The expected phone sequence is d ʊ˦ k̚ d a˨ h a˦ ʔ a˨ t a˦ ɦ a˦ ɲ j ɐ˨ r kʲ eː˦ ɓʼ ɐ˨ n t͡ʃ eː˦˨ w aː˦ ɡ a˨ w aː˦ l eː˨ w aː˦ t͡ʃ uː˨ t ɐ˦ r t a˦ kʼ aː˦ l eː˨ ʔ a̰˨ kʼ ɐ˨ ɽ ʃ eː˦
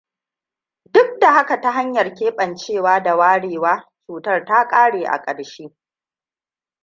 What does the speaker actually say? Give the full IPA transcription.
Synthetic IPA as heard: d ʊ˦ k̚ d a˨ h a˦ k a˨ t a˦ ɦ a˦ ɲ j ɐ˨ r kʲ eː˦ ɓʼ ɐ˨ n t͡ʃ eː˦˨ w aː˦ d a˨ w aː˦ ɽ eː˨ w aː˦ t͡ʃ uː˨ t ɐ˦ r t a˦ kʼ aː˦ ɽ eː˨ ʔ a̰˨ kʼ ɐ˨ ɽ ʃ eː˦